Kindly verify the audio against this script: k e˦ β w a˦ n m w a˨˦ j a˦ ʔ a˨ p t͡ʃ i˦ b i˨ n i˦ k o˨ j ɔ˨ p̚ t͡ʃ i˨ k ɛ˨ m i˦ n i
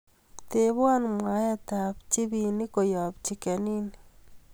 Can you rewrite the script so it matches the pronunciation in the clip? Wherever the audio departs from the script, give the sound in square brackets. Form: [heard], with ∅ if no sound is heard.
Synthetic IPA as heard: [t] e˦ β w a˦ n m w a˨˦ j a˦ [t] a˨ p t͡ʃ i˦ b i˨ n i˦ k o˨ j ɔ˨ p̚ t͡ʃ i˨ k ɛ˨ [n] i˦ n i